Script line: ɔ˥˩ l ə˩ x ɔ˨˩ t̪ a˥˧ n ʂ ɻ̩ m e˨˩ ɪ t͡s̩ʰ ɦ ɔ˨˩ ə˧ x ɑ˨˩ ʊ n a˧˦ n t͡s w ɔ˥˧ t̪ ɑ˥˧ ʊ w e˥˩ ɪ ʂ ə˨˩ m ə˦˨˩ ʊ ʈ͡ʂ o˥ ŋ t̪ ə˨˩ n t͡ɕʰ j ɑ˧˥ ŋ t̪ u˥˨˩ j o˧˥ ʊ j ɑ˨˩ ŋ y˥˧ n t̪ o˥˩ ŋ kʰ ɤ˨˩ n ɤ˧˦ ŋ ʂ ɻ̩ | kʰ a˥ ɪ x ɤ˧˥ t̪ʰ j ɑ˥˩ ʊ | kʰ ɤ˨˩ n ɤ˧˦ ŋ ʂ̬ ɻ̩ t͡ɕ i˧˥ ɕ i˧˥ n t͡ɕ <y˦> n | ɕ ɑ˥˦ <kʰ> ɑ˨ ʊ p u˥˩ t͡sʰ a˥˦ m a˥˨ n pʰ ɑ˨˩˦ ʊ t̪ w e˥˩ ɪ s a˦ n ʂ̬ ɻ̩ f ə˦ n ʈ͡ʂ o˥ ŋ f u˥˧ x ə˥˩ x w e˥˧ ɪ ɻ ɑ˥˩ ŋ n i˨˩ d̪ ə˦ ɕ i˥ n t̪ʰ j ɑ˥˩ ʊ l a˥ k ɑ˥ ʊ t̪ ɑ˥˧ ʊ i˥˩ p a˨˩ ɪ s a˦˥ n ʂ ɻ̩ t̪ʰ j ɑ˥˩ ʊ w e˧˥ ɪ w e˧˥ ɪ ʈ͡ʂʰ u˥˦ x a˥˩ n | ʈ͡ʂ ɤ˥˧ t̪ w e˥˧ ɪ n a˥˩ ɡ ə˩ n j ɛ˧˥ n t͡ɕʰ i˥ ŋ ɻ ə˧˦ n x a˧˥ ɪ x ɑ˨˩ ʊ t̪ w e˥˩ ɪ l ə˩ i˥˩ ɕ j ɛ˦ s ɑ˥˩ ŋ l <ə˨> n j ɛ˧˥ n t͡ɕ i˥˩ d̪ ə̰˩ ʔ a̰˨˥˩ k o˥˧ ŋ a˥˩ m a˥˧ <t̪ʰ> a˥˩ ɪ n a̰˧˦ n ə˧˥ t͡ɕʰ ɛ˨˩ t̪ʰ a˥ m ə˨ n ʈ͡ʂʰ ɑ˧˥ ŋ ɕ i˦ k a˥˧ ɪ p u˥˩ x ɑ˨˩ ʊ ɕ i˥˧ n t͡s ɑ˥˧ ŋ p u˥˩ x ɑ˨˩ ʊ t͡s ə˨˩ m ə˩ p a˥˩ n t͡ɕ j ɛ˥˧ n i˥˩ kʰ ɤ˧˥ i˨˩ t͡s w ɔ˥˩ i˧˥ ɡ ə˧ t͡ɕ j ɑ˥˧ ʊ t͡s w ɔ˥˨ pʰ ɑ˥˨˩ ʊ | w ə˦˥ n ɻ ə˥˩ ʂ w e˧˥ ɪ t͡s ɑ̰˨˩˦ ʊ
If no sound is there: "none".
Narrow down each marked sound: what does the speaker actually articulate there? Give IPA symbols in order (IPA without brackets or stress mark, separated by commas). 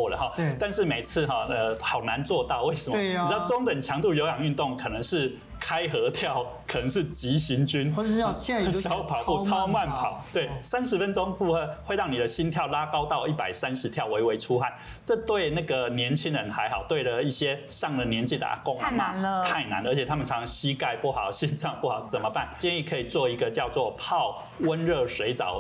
y˦, pʰ, ə˨, t̪ʰ